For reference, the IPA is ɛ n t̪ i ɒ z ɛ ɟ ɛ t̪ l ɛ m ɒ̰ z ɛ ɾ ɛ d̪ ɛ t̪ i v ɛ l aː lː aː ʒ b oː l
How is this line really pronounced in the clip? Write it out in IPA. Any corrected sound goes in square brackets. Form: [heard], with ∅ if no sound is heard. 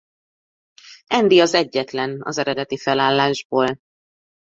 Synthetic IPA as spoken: ɛ n [d̪] i ɒ z ɛ [ɟː] ɛ t̪ l ɛ [n] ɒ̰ z ɛ ɾ ɛ d̪ ɛ t̪ i [f] ɛ l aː lː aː ʒ b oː l